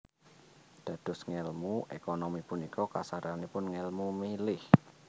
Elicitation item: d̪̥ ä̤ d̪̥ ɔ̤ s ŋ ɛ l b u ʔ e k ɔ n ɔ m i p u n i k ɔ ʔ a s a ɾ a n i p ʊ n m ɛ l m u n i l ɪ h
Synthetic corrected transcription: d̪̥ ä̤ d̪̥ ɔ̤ s ŋ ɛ l m u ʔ e k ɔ n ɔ m i p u n i k ɔ k a s a ɾ a n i p ʊ n ŋ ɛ l m u m i l ɪ h